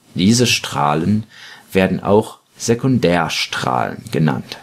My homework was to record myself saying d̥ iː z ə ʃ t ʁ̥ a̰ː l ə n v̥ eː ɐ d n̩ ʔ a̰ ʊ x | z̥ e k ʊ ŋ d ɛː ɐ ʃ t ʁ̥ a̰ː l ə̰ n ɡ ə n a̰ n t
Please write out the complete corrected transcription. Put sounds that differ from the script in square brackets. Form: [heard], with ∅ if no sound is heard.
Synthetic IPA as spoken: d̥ iː z ə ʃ t ʁ̥ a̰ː l ə n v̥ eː ɐ d n̩ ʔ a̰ ʊ x | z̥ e k ʊ [n] d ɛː ɐ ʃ t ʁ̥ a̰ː l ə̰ n ɡ ə n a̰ n t